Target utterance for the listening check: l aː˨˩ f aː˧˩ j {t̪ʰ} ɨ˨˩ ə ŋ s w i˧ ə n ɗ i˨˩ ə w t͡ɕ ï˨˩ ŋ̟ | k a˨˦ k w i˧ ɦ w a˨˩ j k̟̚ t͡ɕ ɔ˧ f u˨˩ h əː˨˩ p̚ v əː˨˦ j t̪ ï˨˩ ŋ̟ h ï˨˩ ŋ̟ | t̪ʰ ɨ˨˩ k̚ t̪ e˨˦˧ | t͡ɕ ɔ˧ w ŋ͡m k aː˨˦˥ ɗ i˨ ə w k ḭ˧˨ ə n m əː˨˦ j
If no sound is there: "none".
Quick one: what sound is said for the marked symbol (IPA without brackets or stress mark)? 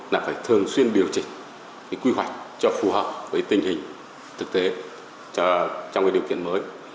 t̪ʰ